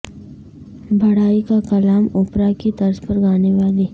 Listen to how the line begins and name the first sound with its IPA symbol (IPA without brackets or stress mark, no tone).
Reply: bʱ